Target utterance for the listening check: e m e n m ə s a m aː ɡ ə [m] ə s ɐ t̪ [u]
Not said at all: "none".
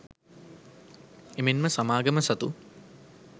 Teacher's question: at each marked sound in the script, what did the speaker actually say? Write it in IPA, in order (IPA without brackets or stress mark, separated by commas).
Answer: m, u